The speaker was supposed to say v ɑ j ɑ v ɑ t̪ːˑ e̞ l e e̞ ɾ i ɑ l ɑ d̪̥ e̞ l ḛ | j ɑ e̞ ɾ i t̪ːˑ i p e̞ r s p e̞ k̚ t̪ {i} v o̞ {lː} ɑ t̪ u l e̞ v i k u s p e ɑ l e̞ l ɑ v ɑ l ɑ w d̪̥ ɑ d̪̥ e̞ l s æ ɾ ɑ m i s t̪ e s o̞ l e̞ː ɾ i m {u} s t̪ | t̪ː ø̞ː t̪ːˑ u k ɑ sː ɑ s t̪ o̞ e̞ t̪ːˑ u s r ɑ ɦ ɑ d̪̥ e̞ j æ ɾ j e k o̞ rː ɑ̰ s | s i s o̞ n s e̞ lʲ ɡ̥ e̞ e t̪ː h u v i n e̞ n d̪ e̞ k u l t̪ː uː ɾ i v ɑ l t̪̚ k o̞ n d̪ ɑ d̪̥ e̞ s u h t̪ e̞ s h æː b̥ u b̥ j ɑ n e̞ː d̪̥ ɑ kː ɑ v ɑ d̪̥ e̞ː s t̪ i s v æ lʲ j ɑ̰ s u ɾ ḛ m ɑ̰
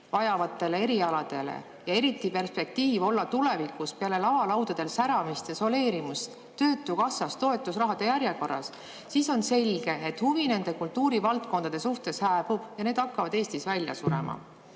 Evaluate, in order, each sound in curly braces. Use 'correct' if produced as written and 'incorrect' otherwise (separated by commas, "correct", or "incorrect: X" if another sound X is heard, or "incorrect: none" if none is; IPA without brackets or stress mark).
incorrect: iː, correct, correct